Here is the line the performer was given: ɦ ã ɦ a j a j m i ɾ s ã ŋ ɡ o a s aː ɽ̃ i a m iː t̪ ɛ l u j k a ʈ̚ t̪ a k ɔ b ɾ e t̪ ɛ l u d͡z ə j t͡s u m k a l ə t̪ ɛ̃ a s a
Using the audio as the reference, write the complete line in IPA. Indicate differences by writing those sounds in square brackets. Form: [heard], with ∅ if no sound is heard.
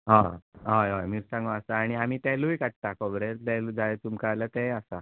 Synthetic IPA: ɦ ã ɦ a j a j m i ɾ s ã ŋ ɡ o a s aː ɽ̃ i a m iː t̪ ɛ l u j k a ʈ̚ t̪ a k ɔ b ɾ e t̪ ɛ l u d͡z [a] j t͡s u m k a l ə t̪ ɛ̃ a s a